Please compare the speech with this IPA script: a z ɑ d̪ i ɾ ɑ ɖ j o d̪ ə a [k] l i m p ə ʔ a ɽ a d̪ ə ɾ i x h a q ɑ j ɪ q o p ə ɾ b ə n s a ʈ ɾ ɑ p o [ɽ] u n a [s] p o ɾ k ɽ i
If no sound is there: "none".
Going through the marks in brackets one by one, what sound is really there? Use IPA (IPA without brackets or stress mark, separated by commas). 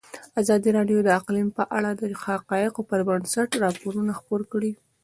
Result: q, ɾ, x